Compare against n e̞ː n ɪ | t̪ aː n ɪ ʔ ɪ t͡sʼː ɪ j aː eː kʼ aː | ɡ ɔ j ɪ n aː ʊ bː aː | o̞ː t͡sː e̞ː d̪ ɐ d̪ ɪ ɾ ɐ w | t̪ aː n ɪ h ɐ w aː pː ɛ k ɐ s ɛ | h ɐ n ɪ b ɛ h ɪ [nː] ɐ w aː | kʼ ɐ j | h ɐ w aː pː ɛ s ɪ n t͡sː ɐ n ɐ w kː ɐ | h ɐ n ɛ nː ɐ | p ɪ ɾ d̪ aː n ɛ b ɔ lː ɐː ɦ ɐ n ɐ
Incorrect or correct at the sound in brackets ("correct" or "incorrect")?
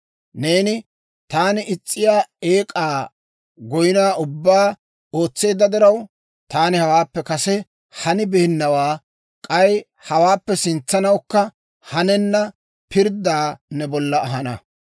correct